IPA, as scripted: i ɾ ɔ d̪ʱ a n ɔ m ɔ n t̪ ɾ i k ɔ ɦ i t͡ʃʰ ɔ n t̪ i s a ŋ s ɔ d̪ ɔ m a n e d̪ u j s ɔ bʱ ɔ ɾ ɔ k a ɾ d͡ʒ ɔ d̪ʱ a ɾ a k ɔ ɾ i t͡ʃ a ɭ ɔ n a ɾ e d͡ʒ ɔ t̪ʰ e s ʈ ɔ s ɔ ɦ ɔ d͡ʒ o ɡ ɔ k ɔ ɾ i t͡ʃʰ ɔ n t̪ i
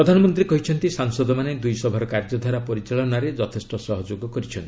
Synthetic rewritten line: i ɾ ɔ d̪ʱ a n ɔ m ɔ n t̪ ɾ i k ɔ ɦ i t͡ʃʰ ɔ n t̪ i s a ŋ s ɔ d̪ ɔ m a n e d̪ u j s ɔ bʱ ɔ ɾ ɔ k a ɾ d͡ʒ ɔ d̪ʱ a ɾ a p ɔ ɾ i t͡ʃ a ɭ ɔ n a ɾ e d͡ʒ ɔ t̪ʰ e s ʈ ɔ s ɔ ɦ ɔ d͡ʒ o ɡ ɔ k ɔ ɾ i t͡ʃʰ ɔ n t̪ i